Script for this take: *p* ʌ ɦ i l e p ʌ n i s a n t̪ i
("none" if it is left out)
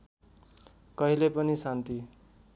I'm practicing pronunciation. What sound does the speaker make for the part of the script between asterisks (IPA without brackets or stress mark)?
k